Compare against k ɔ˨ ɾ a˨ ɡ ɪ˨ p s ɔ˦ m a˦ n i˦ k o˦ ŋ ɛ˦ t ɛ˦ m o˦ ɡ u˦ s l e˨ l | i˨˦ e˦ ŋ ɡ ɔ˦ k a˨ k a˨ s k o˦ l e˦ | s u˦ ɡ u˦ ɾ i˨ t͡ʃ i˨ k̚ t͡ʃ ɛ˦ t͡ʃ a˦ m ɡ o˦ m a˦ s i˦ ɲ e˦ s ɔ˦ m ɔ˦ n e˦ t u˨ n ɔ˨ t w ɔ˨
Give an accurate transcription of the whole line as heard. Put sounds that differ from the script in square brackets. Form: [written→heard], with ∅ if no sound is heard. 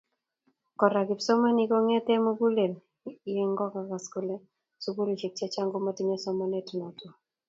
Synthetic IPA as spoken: k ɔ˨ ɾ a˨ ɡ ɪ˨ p s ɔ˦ m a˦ n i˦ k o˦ ŋ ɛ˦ t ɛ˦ m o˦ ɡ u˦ [s→∅] l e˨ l | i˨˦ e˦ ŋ ɡ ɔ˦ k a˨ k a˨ s k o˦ l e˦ | s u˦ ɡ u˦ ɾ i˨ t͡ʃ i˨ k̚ t͡ʃ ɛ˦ t͡ʃ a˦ [m→ŋ] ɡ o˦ m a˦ [s→t] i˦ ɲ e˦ s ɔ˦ m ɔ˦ n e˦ t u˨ n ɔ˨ t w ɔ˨